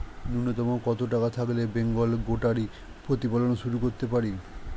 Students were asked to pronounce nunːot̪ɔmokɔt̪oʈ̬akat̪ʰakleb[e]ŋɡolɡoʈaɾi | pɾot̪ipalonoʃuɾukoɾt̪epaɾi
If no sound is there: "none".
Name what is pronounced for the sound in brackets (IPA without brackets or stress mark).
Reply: e